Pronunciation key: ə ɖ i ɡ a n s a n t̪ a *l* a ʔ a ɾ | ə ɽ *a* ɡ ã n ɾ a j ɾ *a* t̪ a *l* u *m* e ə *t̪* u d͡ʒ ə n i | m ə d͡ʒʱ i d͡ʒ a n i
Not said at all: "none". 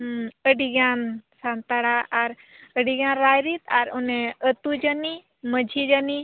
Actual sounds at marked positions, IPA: ɽ, i, i, ɾ, n, t̪

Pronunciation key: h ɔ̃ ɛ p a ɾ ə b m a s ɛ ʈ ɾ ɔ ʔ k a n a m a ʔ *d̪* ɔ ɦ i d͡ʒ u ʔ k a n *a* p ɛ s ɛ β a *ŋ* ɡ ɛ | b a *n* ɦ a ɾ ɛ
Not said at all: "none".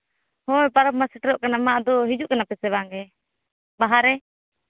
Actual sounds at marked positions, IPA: d̪, a, ŋ, none

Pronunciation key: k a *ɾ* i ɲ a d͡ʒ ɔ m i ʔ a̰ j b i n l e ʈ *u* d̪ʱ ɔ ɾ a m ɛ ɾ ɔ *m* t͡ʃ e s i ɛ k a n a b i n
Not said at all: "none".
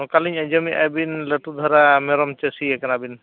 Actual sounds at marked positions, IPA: l, u, m

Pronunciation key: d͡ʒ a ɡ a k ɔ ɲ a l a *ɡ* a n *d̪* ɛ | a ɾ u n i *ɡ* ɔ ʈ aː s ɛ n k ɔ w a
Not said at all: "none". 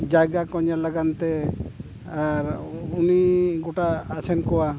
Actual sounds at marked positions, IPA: ɡ, t̪, ɡ

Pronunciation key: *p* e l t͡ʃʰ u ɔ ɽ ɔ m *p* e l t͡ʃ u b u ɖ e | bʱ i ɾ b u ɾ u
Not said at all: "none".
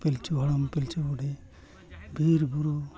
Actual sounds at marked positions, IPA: p, p

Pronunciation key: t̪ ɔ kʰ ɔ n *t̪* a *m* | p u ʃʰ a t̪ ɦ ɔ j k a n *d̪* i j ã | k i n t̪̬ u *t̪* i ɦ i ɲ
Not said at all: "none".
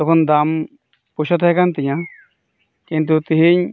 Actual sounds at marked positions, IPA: d̪, m, t̪, t̪

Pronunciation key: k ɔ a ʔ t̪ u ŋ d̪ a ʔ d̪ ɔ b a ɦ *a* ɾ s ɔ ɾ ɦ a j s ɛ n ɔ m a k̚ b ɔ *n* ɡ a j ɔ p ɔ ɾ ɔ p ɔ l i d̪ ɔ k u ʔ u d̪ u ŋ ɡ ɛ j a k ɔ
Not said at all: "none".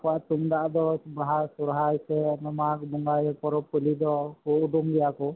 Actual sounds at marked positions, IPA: a, ŋ

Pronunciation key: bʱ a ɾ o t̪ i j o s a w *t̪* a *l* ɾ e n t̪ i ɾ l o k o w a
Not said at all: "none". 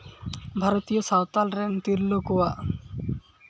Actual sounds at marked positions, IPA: t̪, l

